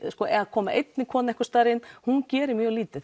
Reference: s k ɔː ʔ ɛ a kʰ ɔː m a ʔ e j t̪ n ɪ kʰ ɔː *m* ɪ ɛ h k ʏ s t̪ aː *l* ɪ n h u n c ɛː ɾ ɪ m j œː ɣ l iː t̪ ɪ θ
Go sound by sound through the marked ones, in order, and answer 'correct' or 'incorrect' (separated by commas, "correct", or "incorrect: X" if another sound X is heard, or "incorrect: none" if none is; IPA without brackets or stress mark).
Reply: incorrect: n, incorrect: ɾ